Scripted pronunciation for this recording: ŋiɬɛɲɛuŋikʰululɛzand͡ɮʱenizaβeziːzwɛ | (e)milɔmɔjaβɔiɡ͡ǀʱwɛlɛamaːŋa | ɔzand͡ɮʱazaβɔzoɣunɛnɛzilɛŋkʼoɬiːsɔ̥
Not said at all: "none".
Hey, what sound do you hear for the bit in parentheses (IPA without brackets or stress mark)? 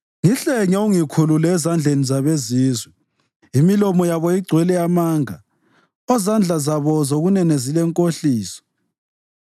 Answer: i